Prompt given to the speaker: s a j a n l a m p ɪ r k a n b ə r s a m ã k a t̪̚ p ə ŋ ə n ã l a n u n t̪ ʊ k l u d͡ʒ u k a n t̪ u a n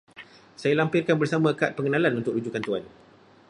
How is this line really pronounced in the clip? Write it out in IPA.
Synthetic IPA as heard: s a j a l a m p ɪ r k a n b ə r s a m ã k a t̪̚ p ə ŋ ə n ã l a n u n t̪ ʊ k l u d͡ʒ u k a n t̪ u a n